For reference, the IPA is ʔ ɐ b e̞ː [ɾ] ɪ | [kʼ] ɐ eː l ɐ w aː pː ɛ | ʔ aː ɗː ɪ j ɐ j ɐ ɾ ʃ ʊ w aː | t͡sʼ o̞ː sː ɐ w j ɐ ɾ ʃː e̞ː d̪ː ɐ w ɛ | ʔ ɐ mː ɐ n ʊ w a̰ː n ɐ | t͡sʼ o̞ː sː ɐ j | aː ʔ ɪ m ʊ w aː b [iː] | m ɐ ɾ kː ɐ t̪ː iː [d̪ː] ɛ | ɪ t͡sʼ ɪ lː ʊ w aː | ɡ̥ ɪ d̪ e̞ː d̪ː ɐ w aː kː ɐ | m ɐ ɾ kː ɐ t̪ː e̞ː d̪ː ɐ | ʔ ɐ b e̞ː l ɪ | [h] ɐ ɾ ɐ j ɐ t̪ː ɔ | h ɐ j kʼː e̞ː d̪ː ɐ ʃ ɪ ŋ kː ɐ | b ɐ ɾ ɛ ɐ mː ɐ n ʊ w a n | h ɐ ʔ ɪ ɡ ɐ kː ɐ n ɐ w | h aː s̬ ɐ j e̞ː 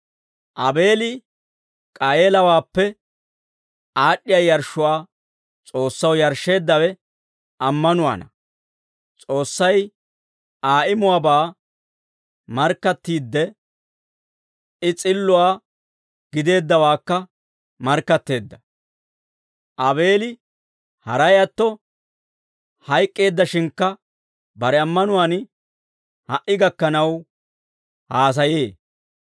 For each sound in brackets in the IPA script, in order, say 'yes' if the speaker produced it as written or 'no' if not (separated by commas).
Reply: no, yes, no, yes, yes